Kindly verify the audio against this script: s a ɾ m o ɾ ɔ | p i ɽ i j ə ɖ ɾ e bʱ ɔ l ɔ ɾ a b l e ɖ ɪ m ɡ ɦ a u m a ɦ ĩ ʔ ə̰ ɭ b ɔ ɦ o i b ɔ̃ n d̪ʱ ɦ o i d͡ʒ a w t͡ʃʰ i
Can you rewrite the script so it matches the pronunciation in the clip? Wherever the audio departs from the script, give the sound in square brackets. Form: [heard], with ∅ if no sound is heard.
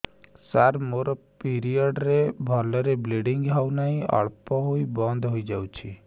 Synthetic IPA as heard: s a ɾ m o ɾ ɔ | p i [ɾ] i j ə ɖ ɾ e bʱ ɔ l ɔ ɾ [e] b l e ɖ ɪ [ŋ] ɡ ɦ a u [n] a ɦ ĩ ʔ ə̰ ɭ [p] ɔ ɦ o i b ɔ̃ n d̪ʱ ɦ o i d͡ʒ a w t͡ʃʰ i